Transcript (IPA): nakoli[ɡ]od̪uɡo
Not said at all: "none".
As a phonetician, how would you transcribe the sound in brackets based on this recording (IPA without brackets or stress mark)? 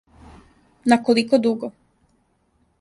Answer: k